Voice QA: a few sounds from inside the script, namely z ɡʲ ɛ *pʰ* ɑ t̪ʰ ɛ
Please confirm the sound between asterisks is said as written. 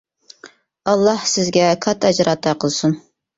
no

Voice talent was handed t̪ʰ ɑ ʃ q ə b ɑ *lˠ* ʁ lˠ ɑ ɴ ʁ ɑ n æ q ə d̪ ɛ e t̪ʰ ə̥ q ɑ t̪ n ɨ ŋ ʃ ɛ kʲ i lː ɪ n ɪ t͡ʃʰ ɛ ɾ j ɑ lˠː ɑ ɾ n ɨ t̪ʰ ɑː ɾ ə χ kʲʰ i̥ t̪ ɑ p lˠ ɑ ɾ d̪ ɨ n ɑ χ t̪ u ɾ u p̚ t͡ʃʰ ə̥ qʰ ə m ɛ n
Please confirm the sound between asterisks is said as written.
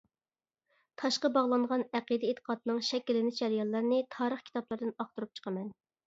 no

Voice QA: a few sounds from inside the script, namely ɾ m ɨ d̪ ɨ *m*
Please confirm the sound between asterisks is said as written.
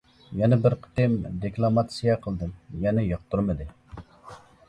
no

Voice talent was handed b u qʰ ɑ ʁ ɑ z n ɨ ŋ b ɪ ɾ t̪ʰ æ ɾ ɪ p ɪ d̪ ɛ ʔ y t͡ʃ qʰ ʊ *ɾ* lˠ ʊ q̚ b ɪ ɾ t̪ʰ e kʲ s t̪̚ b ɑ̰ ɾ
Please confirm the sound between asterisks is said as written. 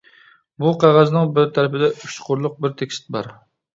yes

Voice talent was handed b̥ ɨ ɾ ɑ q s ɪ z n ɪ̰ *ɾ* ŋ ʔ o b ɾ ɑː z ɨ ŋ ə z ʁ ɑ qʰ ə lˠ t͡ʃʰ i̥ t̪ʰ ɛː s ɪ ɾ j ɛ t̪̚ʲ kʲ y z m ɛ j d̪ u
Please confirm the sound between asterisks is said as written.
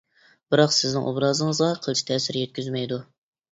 no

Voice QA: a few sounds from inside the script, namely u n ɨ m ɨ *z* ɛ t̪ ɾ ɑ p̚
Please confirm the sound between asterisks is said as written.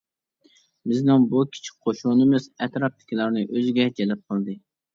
yes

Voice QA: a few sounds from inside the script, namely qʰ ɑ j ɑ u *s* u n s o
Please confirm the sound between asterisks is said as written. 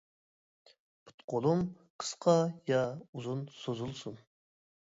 no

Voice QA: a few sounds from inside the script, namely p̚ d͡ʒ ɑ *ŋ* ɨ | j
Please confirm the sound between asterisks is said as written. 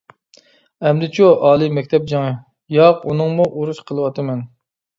yes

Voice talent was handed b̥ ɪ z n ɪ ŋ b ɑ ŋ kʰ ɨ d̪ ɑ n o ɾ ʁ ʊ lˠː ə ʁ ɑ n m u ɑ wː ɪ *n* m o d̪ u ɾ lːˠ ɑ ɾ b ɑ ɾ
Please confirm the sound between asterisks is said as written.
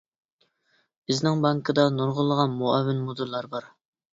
yes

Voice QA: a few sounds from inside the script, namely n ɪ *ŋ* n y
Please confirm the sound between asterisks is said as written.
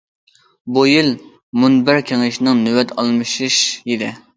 yes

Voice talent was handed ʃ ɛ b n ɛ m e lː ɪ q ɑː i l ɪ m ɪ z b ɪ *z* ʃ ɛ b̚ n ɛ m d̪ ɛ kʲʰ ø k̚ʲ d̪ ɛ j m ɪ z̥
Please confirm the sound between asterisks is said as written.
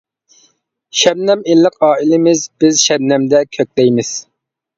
yes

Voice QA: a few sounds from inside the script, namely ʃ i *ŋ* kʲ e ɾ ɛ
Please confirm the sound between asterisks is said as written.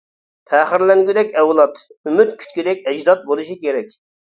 no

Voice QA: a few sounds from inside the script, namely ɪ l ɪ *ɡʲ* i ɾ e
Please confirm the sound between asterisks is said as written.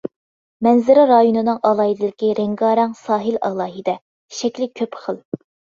no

